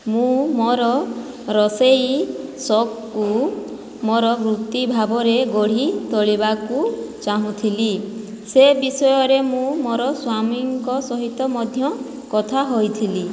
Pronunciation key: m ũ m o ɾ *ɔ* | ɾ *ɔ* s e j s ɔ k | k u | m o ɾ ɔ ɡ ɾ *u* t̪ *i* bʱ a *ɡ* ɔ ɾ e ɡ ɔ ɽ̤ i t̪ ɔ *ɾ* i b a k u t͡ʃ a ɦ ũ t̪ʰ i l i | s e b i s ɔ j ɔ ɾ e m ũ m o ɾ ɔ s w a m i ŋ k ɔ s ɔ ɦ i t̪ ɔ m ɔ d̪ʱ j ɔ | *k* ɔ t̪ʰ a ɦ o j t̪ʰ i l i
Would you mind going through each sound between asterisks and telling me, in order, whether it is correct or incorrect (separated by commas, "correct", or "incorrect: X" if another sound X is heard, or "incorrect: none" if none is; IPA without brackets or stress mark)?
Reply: correct, correct, correct, correct, incorrect: b, incorrect: ɭ, correct